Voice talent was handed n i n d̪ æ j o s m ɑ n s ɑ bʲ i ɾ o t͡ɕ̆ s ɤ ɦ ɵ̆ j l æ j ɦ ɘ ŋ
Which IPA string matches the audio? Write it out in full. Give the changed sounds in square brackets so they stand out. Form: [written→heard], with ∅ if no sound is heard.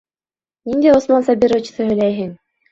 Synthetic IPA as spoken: n i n d̪ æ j o s m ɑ n s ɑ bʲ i ɾ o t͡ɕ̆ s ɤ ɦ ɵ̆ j l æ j ɦ ɘ ŋ